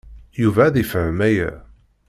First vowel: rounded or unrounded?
rounded